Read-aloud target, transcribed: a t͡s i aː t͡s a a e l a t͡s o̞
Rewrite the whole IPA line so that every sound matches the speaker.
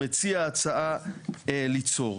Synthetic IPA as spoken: e t͡s i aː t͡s a a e l i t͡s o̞